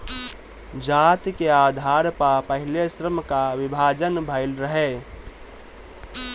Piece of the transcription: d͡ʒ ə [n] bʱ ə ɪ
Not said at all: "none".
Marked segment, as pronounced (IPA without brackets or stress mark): n